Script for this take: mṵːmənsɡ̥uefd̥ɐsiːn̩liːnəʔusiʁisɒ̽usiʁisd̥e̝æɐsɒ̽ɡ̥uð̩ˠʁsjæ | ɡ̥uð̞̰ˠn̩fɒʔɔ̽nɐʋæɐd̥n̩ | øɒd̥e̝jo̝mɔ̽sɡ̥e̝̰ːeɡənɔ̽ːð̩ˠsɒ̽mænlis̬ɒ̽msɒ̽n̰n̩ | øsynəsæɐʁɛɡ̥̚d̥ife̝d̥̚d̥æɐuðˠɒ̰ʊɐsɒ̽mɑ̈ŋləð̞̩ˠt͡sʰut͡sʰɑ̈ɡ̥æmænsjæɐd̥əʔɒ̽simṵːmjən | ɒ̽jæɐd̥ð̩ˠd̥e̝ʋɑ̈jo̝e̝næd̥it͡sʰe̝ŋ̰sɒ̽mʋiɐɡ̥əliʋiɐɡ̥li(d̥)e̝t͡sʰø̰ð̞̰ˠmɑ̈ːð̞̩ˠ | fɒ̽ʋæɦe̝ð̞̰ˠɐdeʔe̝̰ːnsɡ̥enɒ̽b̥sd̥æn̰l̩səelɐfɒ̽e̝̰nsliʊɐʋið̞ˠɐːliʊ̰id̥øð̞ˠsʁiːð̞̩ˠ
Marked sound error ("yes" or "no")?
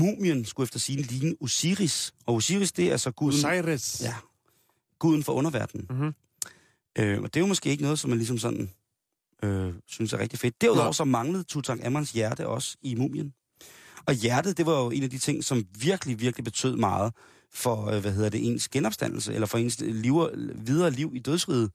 yes